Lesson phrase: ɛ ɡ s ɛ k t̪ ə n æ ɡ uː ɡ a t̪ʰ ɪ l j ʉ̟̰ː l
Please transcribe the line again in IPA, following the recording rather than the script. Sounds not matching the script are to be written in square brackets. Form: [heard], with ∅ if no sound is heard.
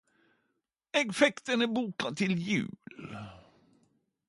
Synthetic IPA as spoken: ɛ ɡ [f] ɛ k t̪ ə n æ [b] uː [k] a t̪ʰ ɪ l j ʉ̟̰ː l